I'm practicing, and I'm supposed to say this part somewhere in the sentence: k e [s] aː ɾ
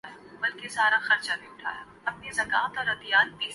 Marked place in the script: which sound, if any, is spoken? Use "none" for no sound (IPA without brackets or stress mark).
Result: s